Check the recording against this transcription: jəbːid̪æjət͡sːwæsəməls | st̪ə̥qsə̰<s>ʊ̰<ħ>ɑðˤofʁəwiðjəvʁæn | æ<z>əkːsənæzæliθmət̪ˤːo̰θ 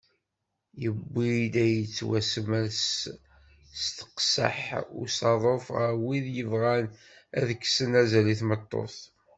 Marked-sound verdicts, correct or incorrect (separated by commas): incorrect, incorrect, incorrect